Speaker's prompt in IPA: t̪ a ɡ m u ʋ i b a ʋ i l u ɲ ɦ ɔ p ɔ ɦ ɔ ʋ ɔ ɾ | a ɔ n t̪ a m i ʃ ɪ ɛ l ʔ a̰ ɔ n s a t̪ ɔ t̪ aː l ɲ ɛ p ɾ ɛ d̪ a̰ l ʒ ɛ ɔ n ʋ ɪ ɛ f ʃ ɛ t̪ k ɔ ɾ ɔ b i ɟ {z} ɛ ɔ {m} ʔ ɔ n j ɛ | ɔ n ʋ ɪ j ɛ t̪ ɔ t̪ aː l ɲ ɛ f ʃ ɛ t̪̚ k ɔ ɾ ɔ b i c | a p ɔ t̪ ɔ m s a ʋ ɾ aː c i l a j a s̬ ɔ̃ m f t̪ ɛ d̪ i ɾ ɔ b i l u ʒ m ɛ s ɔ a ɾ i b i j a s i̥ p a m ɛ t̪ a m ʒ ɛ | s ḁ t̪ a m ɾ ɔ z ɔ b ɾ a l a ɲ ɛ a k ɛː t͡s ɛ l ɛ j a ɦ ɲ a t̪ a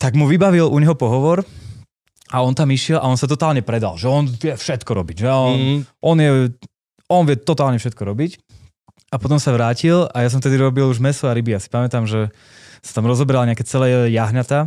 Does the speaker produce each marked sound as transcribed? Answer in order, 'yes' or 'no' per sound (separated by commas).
no, no